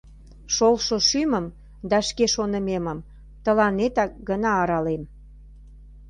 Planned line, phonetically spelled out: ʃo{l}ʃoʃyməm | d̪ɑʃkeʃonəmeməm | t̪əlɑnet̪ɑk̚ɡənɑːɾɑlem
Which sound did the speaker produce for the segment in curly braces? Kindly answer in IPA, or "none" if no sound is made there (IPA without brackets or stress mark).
l